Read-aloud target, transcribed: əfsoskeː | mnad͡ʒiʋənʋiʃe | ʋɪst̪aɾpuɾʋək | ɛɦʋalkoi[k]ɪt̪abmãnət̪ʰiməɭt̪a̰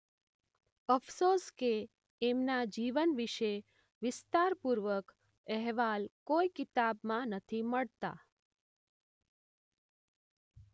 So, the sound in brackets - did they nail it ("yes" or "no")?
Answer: yes